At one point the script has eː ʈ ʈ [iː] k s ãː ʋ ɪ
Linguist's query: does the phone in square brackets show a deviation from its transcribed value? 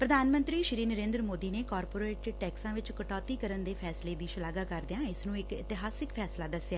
yes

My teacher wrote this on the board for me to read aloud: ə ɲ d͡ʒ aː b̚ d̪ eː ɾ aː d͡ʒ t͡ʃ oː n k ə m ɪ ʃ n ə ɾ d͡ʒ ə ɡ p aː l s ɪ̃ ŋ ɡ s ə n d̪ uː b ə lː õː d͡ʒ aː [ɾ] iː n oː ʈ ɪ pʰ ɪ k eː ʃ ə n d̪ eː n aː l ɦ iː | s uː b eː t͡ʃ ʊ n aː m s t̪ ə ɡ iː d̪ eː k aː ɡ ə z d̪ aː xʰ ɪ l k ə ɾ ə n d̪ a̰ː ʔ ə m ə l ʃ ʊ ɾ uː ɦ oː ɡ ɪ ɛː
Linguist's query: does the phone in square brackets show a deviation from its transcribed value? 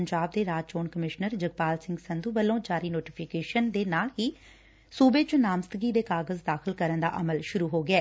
no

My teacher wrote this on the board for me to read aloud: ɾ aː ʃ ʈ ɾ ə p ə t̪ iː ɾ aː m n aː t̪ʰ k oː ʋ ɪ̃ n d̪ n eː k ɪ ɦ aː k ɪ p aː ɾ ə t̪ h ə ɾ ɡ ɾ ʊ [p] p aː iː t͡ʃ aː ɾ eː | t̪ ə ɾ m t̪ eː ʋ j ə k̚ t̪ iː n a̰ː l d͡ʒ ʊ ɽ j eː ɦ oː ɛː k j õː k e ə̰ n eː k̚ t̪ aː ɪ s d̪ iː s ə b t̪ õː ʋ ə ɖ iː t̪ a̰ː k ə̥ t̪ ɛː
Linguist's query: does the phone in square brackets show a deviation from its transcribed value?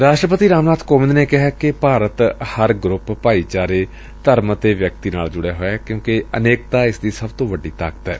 no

